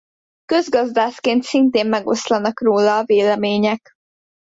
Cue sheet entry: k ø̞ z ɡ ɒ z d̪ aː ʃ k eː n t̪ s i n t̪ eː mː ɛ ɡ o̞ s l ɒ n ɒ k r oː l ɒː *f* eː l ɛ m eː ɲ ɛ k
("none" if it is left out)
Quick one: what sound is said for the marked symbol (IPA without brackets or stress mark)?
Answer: v